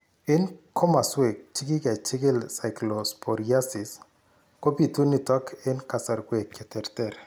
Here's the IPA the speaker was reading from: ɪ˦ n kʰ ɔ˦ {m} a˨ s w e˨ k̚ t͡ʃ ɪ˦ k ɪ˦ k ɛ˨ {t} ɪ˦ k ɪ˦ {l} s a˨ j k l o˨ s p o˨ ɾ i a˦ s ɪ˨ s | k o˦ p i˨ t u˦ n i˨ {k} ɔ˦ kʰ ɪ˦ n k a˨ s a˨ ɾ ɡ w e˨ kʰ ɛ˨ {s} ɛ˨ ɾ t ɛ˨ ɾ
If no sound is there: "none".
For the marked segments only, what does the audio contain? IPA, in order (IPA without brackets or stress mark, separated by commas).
m, t͡ʃ, l, t, t